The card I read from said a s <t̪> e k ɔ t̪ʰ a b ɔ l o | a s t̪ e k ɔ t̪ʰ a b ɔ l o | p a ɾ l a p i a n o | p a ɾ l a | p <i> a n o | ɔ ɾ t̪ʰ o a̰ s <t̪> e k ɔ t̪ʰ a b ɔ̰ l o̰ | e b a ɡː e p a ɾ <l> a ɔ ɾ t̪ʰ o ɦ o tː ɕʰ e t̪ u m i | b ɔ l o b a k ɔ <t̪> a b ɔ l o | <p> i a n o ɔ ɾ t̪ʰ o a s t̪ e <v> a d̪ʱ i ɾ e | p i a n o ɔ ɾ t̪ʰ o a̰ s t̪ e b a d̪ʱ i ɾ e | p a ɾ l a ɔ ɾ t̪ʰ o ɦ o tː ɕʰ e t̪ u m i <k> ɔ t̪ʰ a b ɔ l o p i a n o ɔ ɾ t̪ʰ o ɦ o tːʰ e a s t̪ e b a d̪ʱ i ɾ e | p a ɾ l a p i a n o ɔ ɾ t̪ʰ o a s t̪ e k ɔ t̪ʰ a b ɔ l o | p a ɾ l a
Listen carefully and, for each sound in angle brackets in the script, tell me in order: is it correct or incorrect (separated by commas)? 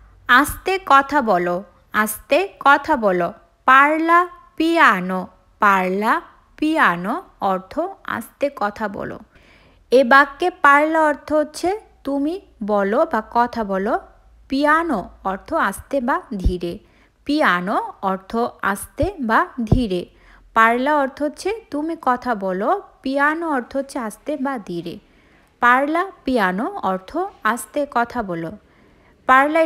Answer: correct, correct, correct, correct, incorrect, correct, incorrect, correct